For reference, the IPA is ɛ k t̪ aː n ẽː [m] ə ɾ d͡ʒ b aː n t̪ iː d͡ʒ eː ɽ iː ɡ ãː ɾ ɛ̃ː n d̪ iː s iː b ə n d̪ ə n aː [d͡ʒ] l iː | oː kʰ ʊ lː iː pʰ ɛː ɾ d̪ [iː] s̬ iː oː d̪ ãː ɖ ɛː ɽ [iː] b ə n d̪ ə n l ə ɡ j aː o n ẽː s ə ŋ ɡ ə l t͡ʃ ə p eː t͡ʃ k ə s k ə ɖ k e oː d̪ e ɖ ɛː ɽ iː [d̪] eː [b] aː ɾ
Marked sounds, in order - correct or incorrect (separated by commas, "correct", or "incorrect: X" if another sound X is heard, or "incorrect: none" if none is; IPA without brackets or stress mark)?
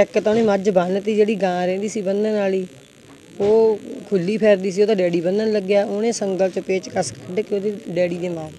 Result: correct, incorrect: none, correct, correct, correct, incorrect: m